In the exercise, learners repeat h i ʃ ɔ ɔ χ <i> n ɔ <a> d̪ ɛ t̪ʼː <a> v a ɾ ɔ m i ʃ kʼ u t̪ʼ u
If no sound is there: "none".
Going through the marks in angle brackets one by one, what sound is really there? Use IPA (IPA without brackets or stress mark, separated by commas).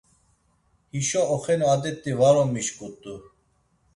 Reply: ɛ, a, i